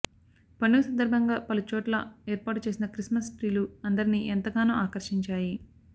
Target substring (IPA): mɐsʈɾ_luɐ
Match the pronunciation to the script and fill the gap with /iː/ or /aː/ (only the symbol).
iː